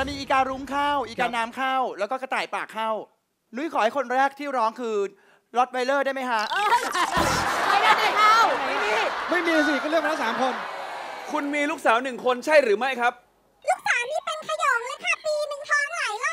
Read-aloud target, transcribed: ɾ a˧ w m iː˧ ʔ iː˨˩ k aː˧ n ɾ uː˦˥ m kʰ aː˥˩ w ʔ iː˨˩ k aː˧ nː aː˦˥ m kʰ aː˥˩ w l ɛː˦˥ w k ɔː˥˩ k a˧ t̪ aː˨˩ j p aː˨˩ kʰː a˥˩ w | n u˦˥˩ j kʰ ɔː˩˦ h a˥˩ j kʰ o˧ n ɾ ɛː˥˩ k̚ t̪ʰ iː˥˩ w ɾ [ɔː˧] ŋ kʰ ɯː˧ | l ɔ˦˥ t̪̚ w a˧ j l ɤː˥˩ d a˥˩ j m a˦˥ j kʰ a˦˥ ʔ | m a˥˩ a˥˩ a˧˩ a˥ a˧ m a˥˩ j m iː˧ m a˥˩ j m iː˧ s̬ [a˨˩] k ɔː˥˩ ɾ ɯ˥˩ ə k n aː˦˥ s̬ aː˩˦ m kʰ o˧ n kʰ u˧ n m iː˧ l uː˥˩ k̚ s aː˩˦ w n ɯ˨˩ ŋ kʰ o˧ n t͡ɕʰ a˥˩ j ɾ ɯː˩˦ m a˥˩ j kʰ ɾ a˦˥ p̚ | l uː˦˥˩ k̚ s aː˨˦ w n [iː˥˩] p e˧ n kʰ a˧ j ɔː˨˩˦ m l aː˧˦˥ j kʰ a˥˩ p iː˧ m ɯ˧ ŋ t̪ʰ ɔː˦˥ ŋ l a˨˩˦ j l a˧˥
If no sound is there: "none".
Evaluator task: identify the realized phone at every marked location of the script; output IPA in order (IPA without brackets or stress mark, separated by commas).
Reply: ɔː˦˥, i˨˩, iː˦˥